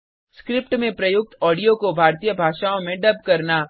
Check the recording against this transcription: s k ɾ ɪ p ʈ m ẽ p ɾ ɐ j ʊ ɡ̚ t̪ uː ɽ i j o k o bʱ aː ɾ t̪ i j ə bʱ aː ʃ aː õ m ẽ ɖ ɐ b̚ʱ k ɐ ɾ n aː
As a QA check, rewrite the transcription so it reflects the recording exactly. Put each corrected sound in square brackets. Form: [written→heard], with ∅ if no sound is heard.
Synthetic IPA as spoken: s k ɾ ɪ p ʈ m ẽ p ɾ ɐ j ʊ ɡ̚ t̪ [uː→ɔː] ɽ i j o k o bʱ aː ɾ t̪ i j ə bʱ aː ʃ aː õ m ẽ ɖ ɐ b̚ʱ k ɐ ɾ n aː